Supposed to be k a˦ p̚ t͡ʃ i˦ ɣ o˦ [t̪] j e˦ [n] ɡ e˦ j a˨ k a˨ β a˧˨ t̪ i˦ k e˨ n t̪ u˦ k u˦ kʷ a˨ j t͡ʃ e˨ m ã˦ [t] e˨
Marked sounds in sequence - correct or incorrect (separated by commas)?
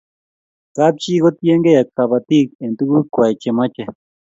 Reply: correct, incorrect, incorrect